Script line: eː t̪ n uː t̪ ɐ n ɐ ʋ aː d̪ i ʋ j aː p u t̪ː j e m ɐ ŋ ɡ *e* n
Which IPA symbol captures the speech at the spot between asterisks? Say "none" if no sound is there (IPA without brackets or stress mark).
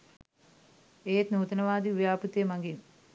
i